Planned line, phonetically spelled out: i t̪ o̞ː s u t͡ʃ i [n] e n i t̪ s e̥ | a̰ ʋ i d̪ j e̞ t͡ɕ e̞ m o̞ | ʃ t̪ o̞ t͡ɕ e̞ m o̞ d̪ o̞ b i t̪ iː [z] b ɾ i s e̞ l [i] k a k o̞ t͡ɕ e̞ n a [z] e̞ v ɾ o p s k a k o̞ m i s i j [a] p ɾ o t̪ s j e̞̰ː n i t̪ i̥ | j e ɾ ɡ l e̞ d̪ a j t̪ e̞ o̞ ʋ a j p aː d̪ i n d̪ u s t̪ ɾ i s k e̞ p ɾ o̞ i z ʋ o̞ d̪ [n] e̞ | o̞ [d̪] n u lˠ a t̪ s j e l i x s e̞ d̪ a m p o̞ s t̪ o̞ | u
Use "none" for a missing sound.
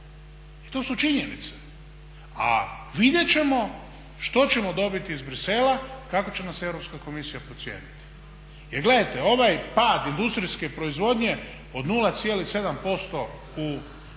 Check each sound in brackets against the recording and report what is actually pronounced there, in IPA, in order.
ɲ, z, a, s, a, ɲ, d̪

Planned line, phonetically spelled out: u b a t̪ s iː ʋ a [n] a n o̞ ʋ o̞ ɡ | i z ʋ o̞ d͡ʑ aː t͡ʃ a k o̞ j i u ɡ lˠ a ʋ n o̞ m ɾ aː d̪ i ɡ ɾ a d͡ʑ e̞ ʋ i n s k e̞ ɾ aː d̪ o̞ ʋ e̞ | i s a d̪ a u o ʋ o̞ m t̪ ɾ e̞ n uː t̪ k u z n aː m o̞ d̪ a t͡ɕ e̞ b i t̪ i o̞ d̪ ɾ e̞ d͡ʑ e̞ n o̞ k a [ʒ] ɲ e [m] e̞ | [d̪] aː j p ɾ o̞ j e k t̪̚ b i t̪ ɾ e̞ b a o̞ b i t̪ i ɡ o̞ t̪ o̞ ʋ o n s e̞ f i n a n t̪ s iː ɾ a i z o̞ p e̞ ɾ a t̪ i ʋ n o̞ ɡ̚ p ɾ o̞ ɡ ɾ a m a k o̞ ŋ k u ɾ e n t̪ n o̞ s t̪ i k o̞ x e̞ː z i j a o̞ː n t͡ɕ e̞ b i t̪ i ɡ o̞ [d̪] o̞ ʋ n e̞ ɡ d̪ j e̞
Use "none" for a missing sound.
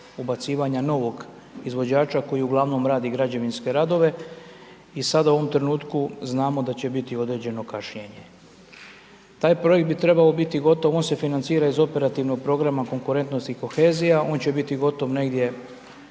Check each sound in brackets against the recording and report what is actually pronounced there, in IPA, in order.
ɲ, ʃ, ɲ, t̪, t̪

